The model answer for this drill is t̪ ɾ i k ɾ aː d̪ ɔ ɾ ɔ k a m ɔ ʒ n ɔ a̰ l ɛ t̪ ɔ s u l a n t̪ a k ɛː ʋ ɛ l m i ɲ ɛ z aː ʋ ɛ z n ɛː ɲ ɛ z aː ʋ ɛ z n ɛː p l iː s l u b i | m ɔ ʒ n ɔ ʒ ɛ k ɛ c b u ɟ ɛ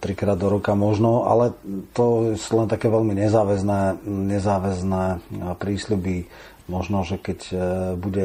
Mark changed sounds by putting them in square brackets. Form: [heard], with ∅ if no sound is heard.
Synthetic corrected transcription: t̪ ɾ i k ɾ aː d̪ ɔ ɾ ɔ k a m ɔ ʒ n ɔ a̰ l ɛ t̪ ɔ s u l [ɛ] n t̪ a k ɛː ʋ ɛ l m i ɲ ɛ z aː ʋ ɛ z n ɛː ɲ ɛ z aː ʋ ɛ z n ɛː p [ɾ] iː s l u b i | m ɔ ʒ n ɔ ʒ ɛ k ɛ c b u ɟ ɛ